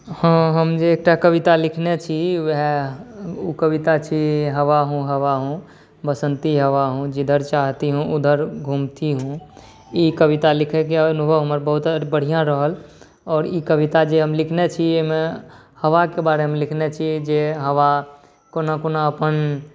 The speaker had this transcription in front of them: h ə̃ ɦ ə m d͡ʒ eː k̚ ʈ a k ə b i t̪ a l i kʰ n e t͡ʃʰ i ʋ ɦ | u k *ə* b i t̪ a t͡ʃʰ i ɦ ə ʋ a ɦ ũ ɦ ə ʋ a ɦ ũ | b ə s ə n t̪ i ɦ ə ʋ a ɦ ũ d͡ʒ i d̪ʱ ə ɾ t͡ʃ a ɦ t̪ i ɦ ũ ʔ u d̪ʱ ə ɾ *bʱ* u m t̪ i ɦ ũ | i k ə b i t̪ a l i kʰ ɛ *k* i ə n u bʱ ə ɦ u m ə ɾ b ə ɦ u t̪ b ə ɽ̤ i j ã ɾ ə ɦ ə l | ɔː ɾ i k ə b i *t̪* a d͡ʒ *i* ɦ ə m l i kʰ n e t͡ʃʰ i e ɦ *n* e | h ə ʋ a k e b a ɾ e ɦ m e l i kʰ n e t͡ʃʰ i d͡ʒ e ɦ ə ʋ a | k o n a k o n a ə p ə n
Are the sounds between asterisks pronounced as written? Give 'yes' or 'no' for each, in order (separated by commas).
yes, no, yes, yes, no, no